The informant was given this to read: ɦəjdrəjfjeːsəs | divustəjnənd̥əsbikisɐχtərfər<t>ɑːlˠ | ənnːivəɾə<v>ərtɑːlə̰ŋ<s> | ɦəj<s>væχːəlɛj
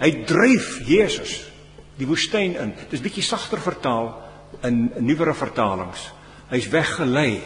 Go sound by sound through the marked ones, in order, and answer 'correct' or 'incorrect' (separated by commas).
correct, incorrect, correct, correct